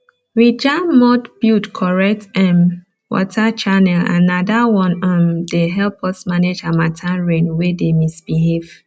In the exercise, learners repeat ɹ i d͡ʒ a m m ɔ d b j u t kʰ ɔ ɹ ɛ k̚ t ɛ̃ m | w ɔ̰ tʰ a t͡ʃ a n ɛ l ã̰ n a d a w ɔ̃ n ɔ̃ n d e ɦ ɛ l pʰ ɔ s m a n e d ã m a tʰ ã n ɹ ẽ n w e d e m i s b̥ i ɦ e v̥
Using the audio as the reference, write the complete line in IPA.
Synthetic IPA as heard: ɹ i d͡ʒ a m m ɔ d b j u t kʰ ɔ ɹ ɛ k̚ t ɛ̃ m | w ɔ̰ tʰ a t͡ʃ a n ɛ l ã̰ n a d a w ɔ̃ n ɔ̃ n d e ɦ ɛ l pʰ ɔ s m a n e d͡ʒ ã m a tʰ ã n ɹ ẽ n w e d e m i s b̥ i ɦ e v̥